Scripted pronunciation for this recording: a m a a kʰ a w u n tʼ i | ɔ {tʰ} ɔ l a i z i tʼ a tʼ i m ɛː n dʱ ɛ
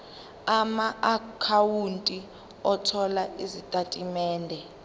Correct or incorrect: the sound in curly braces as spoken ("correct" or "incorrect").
correct